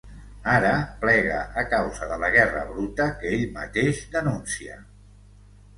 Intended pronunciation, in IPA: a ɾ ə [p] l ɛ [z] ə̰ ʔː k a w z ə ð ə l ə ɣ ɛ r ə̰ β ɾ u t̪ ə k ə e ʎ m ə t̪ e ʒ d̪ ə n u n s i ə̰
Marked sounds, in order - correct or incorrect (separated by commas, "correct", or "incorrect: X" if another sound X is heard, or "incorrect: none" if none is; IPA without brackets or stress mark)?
correct, incorrect: ɣ